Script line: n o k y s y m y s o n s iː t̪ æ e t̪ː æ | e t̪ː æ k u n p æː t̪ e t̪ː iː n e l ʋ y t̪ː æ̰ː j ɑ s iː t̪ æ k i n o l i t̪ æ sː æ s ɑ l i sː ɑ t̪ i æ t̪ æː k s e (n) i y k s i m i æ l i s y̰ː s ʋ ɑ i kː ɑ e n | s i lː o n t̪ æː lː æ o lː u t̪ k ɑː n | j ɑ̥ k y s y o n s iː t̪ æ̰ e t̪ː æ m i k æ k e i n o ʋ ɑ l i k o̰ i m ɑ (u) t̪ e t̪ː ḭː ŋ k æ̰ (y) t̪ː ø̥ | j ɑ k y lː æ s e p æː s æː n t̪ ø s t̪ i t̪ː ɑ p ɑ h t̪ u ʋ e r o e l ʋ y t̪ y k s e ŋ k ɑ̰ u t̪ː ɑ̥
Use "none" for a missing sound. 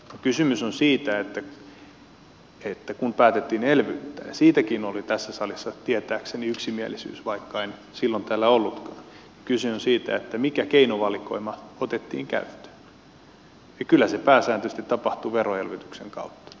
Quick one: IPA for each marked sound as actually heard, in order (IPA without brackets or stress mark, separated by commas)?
n, o, y